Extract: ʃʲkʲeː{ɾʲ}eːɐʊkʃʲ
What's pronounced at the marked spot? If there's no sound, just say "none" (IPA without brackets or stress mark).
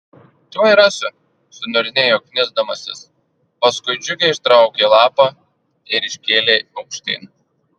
lʲ